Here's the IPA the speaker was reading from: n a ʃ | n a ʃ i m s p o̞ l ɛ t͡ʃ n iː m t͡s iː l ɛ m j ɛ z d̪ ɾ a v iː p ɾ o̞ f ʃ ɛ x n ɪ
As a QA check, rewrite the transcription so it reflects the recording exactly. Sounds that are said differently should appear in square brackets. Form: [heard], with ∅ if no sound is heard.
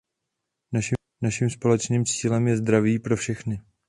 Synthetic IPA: n a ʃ | n a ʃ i m s p o̞ l ɛ t͡ʃ n iː m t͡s iː l ɛ m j ɛ z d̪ ɾ a v iː p ɾ o̞ f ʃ ɛ x n ɪ